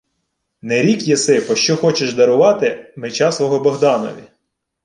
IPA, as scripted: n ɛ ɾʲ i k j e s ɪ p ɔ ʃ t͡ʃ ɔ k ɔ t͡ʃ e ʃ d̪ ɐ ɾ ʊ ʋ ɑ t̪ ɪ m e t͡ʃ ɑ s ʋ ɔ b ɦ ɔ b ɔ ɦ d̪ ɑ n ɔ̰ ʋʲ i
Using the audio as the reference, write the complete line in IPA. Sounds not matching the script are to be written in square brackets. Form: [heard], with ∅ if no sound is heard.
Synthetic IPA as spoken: n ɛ ɾʲ i k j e s ɪ p ɔ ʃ t͡ʃ ɔ [x] ɔ t͡ʃ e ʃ d̪ ɐ ɾ ʊ ʋ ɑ t̪ ɪ m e t͡ʃ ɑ s ʋ ɔ [∅] ɦ ɔ b ɔ ɦ d̪ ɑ n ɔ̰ ʋʲ i

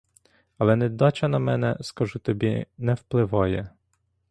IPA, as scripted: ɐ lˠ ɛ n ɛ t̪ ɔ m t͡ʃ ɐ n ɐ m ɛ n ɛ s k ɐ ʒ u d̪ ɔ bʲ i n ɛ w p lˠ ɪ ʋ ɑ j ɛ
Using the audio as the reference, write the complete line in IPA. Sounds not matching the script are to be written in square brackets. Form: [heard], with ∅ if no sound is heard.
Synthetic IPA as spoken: ɐ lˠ ɛ n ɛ [d̪] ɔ [∅] t͡ʃ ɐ n ɐ m ɛ n ɛ s k ɐ ʒ u [t̪] ɔ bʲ i n ɛ w p lˠ ɪ ʋ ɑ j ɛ

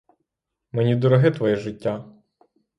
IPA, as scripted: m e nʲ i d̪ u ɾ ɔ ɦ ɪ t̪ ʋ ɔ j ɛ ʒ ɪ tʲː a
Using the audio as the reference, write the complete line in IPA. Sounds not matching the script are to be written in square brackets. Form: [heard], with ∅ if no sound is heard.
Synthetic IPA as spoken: m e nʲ i d̪ [ɔ] ɾ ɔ ɦ ɪ t̪ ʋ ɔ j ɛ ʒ ɪ tʲː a

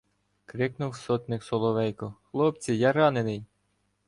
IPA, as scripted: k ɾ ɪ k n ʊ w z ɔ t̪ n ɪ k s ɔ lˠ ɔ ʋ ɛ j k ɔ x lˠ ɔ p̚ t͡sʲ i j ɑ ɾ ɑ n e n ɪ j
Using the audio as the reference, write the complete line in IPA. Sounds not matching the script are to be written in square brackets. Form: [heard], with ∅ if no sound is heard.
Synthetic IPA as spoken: k ɾ ɪ k n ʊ w [s] ɔ t̪ n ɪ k s ɔ lˠ ɔ ʋ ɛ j k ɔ x lˠ ɔ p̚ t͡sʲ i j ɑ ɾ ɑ n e n ɪ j

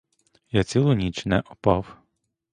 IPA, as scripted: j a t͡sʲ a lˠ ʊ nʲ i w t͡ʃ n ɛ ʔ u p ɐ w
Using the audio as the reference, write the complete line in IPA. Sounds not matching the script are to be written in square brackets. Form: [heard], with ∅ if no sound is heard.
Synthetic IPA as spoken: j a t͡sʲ [i] lˠ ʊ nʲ i [∅] t͡ʃ n ɛ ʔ [ɔ] p [ɑ] w

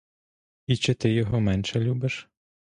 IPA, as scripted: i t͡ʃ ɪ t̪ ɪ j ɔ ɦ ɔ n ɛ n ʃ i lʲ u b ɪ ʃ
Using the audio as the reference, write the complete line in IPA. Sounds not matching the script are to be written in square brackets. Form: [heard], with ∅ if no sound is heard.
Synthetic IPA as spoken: i t͡ʃ ɪ t̪ ɪ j ɔ ɦ ɔ [m] ɛ n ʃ [ɛ] lʲ u b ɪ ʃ

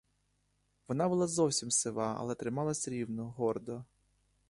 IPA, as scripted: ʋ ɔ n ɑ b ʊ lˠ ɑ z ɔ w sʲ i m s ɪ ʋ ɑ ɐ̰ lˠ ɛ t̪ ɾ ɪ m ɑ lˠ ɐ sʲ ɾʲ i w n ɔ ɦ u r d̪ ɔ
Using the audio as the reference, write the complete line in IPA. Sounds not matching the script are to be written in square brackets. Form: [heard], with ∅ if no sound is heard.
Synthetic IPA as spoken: ʋ ɔ n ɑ b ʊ lˠ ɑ z ɔ w sʲ i m s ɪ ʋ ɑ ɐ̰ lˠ ɛ t̪ ɾ ɪ m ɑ lˠ ɐ sʲ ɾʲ i w n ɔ ɦ [ɔ] r d̪ ɔ

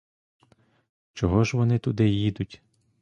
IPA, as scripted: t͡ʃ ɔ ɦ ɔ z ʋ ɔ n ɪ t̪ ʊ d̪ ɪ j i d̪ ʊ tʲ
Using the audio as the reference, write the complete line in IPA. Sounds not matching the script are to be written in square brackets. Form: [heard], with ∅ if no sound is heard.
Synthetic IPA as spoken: t͡ʃ ɔ ɦ ɔ [ʒ] ʋ ɔ n ɪ t̪ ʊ d̪ ɪ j i d̪ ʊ tʲ

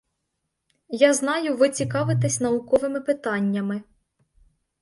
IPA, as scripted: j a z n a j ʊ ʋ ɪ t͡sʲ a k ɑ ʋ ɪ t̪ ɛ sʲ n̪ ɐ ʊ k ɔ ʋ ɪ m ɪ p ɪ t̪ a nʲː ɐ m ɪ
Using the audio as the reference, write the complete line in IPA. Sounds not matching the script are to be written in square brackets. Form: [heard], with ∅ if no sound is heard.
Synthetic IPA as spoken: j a z n [ɑ] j ʊ ʋ ɪ t͡sʲ [i] k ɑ ʋ ɪ t̪ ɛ sʲ n̪ ɐ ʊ k ɔ ʋ ɪ m ɪ p ɪ t̪ [ɑ] nʲː ɐ m ɪ

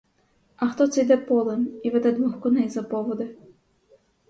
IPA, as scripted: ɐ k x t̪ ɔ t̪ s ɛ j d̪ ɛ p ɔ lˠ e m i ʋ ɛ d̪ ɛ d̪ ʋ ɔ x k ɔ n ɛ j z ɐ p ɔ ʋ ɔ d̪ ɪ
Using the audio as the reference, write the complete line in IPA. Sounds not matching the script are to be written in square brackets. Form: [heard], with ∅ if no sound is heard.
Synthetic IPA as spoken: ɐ [∅] x t̪ ɔ t̪ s ɛ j d̪ ɛ p ɔ lˠ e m i ʋ ɛ d̪ ɛ d̪ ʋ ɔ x k ɔ n ɛ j z ɐ p ɔ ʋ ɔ d̪ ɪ

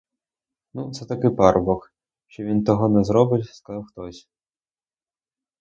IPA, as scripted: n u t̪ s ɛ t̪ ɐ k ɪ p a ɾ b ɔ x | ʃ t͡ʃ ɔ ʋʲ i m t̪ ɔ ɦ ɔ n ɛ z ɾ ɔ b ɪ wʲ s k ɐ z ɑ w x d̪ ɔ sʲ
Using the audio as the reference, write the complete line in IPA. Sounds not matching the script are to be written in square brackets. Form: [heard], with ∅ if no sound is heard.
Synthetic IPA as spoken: n u t̪ s ɛ t̪ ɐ k ɪ p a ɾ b ɔ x | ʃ t͡ʃ ɔ ʋʲ i [n] t̪ ɔ ɦ ɔ n ɛ z ɾ ɔ b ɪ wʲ s k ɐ z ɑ w x [t̪] ɔ sʲ

